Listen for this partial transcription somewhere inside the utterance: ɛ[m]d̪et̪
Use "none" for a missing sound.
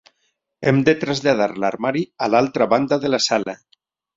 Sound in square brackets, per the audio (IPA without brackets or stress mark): m